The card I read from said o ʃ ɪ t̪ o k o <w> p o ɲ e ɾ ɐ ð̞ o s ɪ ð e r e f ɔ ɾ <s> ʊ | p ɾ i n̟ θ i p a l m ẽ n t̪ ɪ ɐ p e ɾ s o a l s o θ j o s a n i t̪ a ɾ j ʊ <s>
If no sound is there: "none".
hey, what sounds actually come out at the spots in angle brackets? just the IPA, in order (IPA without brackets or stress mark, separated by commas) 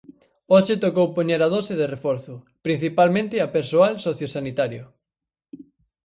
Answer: w, θ, none